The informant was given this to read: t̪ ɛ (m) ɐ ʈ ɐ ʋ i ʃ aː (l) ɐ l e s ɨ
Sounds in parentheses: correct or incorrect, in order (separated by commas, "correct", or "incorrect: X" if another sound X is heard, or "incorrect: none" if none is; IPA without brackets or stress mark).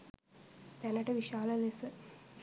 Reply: incorrect: n, correct